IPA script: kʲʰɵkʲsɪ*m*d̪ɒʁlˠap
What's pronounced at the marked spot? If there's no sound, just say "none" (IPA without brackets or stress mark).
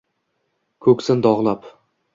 n